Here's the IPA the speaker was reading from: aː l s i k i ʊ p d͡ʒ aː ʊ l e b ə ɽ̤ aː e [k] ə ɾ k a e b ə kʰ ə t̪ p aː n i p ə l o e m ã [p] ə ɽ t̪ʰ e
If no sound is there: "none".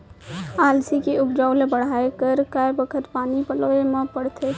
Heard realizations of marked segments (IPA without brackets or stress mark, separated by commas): k, p